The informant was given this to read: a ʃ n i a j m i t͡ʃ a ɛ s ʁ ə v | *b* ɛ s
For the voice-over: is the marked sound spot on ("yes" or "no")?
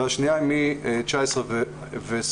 no